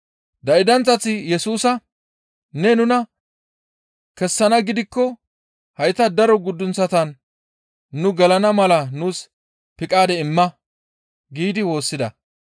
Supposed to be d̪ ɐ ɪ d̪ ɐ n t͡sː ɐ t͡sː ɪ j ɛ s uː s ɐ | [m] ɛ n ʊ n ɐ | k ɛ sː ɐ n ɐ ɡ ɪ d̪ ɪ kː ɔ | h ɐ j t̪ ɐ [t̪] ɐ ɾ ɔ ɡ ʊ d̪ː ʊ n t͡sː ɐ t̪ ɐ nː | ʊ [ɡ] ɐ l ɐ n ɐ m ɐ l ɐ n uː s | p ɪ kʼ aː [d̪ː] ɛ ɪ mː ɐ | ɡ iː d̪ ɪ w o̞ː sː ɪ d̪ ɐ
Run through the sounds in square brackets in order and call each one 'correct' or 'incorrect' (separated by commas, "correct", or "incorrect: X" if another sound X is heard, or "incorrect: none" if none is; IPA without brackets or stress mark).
incorrect: n, incorrect: d̪, correct, incorrect: d̪